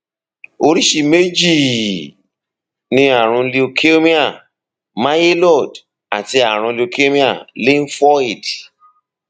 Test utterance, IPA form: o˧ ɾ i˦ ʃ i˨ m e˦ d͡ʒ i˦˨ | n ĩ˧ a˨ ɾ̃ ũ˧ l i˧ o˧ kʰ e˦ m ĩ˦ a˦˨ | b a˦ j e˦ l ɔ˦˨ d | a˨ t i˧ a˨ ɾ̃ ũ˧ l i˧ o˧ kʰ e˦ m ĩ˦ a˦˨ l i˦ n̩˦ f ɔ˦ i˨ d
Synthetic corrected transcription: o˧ ɾ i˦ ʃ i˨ m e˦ d͡ʒ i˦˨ | n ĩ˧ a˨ ɾ̃ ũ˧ l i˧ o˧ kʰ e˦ m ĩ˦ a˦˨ | m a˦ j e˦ l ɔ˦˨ d | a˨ t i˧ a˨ ɾ̃ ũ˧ l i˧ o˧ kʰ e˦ m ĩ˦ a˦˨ l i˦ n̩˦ f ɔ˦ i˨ d